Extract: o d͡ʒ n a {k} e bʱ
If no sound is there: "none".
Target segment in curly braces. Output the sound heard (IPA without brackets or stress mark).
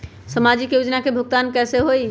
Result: k